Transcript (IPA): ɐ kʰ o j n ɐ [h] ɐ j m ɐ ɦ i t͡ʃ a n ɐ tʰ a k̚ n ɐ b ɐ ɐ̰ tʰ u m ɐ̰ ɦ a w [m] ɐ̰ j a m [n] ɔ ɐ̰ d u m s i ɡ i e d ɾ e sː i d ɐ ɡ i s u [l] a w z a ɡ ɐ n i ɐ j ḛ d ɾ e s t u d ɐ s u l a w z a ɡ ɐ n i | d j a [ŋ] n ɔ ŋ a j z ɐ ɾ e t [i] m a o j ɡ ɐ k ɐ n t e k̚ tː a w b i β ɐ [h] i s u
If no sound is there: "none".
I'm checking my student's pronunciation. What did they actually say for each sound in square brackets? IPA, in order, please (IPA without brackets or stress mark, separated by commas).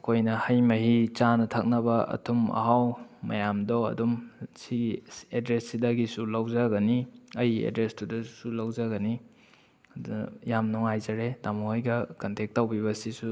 h, m, d, l, m, a, s